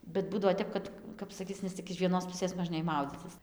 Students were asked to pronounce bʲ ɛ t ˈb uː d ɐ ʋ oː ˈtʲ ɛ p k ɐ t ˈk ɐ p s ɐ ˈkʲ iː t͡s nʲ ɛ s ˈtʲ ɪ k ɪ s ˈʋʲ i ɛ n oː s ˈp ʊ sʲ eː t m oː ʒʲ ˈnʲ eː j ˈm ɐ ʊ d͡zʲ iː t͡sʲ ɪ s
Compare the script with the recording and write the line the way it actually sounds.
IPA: bʲ ɛ t ˈb uː d ɐ ʋ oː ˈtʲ ɛ p k ɐ t ˈk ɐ p s ɐ ˈkʲ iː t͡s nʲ ɛ s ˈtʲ ɪ k ɪ ʃ ˈʋʲ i ɛ n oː s ˈp ʊ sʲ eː s m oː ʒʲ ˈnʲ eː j ˈm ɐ ʊ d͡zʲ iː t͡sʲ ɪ s